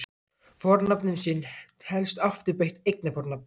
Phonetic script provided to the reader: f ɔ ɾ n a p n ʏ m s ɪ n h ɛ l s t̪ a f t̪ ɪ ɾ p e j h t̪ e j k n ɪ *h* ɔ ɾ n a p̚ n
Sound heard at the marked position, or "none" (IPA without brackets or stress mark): f